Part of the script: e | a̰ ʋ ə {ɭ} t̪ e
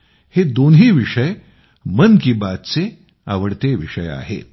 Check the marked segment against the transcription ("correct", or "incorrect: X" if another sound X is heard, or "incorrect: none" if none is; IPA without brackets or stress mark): incorrect: ɽ